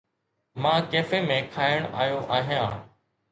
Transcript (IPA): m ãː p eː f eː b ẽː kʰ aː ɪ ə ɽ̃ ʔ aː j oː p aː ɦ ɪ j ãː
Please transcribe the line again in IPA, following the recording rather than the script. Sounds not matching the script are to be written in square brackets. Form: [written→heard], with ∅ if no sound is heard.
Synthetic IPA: m ãː [p→k] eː f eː [b→m] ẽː kʰ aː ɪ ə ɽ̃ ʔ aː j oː [p→ʔ] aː ɦ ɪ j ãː